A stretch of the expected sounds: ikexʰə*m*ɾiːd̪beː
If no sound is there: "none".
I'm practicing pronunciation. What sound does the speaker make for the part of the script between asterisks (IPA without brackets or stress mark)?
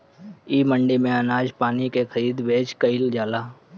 none